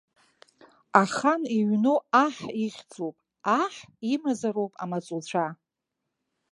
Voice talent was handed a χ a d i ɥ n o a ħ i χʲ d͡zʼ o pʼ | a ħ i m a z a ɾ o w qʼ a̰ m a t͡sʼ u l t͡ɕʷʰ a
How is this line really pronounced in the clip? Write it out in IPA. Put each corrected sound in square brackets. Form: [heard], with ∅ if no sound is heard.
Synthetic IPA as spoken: a χ a [n] i ɥ n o a ħ i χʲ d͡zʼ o pʼ | a ħ i m a z a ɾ o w [pʼ] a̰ m a t͡sʼ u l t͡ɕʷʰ a